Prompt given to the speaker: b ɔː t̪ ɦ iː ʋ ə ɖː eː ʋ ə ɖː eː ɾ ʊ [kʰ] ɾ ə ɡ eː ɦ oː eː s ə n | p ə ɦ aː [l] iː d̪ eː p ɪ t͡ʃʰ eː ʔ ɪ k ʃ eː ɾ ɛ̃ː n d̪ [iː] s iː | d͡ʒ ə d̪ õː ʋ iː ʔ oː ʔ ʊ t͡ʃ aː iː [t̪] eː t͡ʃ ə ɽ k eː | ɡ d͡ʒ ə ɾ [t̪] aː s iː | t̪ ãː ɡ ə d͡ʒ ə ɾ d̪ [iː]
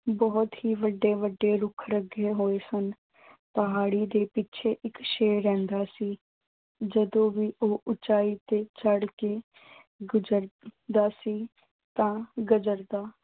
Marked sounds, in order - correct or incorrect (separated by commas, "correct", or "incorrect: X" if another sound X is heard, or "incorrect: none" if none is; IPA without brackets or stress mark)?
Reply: correct, incorrect: ɽ, incorrect: aː, correct, incorrect: d̪, incorrect: aː